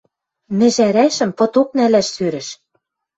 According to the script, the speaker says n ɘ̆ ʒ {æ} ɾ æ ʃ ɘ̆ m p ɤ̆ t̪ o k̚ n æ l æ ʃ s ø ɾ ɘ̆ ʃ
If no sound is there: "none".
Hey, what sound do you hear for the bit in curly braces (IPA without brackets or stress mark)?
æ